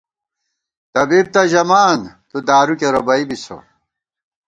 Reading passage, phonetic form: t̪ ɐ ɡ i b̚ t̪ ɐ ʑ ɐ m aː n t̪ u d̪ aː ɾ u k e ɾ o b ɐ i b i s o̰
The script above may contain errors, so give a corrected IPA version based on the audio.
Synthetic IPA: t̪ ɐ b i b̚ t̪ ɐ ʑ ɐ m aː n t̪ u d̪ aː ɾ u k e ɾ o b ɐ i b i s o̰